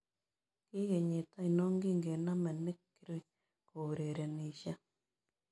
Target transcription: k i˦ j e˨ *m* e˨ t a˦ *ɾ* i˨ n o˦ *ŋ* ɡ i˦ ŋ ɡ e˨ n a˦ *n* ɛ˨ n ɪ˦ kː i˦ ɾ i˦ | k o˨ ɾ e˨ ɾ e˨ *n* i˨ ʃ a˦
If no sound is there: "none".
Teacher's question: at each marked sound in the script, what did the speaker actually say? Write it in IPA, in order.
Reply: ɲ, none, ŋ, m, n

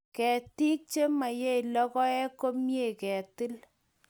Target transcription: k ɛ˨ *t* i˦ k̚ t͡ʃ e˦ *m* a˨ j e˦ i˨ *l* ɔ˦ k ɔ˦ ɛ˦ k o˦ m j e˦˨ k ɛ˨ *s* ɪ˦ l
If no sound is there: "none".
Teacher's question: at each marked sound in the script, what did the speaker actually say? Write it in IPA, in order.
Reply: t, m, l, t

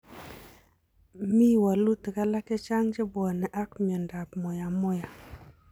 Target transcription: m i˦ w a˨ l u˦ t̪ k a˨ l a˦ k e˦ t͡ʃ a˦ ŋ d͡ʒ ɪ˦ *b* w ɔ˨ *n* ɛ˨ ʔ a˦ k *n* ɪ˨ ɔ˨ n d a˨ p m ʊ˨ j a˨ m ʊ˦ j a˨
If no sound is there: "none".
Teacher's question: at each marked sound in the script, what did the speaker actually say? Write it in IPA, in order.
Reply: b, n, m

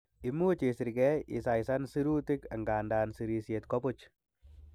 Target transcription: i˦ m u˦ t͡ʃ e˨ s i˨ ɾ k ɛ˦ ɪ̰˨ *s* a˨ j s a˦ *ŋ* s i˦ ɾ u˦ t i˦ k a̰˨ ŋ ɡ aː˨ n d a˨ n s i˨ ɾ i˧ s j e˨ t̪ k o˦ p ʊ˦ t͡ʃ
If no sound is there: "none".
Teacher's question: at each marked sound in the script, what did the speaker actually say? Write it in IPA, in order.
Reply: s, n

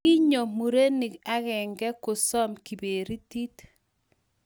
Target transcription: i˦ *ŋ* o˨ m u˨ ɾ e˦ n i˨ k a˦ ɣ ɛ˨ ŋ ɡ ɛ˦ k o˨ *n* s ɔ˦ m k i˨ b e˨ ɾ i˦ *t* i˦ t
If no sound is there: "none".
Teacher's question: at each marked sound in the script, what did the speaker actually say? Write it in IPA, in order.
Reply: ɲ, none, t

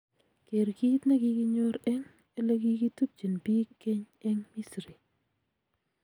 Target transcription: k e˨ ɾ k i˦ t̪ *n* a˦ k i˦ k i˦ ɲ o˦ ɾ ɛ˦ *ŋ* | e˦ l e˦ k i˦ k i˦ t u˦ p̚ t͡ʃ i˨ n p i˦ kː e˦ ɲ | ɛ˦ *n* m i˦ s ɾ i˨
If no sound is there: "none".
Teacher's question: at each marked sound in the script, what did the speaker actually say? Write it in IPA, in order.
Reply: n, ŋ, ŋ

